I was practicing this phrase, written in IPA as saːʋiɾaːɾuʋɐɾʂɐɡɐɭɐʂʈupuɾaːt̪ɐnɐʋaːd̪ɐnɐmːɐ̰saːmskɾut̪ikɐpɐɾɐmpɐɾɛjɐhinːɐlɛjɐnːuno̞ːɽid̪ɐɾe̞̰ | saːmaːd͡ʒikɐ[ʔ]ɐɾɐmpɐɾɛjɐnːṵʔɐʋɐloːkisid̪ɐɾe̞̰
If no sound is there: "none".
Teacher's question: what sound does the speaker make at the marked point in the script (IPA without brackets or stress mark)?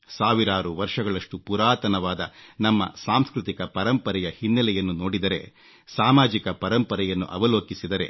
p